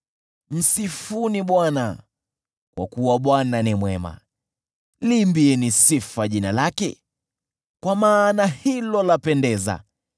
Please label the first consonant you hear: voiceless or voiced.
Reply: voiced